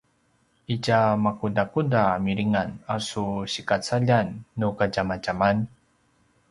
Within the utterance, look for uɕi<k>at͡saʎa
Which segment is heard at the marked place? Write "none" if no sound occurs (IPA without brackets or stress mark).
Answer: k